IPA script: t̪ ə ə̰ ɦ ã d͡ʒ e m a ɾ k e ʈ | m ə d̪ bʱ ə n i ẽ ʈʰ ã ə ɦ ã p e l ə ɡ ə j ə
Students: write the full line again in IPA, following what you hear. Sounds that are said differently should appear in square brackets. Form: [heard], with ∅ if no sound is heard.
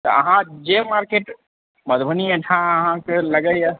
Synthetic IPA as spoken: t̪ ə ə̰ ɦ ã d͡ʒ e m a ɾ k e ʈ | m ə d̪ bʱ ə n i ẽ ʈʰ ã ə ɦ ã [k] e l ə ɡ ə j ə